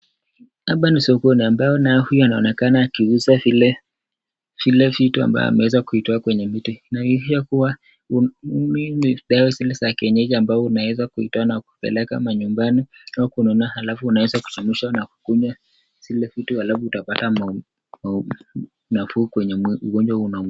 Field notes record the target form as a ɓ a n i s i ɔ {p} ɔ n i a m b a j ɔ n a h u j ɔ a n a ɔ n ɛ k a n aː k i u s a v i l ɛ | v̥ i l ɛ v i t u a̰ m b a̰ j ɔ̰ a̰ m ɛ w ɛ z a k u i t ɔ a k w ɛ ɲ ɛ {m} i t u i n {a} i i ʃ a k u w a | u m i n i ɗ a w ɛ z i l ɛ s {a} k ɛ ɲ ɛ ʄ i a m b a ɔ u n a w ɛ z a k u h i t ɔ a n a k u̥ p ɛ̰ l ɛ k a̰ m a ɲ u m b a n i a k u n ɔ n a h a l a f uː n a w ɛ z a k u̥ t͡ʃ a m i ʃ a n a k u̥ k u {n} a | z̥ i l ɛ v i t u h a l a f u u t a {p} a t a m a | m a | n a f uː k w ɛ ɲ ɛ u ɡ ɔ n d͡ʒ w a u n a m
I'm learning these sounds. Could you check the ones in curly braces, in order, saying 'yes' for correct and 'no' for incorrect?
no, yes, yes, yes, no, yes

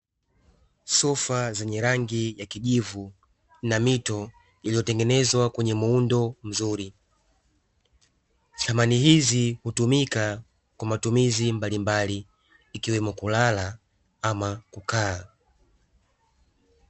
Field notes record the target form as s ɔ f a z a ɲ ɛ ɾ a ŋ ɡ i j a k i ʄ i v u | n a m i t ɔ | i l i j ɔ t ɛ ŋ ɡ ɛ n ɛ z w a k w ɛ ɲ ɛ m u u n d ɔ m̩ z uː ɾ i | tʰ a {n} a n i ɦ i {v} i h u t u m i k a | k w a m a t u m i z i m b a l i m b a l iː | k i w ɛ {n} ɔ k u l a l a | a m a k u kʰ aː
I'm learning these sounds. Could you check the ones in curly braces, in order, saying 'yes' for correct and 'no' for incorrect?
no, no, no

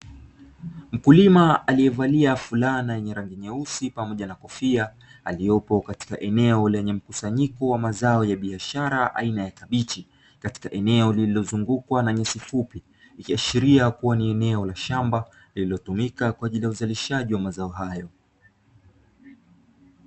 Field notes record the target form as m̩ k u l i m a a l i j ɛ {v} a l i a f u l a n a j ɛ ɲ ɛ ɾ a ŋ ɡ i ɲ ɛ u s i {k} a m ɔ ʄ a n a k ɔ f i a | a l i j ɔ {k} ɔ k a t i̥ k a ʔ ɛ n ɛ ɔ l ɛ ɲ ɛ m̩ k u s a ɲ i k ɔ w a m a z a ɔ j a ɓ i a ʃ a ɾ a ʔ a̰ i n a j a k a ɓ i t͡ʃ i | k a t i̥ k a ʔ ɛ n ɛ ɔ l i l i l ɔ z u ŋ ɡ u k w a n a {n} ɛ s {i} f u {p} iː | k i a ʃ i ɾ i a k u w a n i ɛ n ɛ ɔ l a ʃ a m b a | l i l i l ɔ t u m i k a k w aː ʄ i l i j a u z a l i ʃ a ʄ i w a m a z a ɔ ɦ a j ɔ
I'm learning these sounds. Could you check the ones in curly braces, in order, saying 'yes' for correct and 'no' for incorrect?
yes, no, no, no, yes, yes

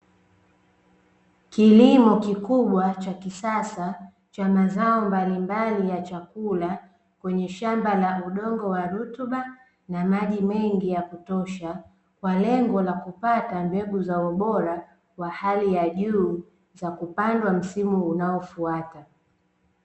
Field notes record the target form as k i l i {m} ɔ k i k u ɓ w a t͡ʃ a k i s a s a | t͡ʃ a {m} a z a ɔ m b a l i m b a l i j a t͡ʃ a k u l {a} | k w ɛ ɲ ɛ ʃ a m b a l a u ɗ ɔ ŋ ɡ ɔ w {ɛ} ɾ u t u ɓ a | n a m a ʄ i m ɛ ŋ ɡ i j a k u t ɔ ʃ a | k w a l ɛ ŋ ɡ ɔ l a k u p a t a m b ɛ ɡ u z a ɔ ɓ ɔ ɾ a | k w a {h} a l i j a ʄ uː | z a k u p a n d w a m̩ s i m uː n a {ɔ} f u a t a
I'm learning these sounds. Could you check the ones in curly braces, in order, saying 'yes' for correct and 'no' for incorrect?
yes, yes, yes, no, yes, yes

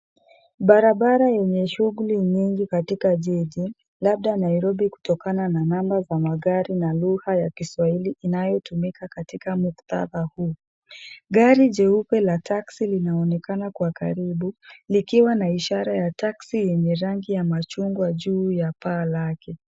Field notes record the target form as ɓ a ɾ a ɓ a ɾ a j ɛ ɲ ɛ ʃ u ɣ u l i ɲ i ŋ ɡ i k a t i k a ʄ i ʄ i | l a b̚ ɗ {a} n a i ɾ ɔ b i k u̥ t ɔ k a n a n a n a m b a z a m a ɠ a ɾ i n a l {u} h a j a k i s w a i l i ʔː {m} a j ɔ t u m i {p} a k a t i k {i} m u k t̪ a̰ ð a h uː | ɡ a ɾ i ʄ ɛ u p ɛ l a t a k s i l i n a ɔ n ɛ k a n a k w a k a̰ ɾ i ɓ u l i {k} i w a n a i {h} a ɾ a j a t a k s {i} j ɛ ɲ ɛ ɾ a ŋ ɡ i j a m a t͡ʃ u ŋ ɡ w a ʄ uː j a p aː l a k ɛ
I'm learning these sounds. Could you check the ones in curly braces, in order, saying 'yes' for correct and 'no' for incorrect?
yes, yes, no, no, no, yes, no, yes

